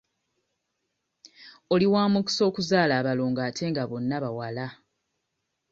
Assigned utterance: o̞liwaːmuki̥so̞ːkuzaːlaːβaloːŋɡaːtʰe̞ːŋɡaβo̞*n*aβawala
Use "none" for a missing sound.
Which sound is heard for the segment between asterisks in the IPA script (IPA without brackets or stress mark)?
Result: nː